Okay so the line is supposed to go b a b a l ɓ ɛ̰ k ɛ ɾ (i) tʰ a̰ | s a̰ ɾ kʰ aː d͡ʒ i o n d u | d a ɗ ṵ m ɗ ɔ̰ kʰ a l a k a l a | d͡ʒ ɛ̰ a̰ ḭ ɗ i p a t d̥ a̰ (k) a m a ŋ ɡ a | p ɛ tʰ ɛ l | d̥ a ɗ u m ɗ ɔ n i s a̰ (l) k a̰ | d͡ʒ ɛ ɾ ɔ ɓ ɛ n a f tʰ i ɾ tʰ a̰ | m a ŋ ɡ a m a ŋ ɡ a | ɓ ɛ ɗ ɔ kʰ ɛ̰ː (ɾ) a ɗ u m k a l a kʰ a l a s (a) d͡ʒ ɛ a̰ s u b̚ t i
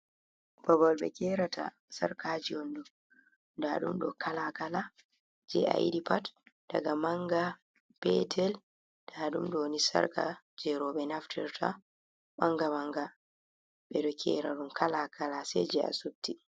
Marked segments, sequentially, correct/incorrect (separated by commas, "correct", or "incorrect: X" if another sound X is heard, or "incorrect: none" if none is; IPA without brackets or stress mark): incorrect: a, incorrect: ɡ, incorrect: ɾ, correct, incorrect: ɛ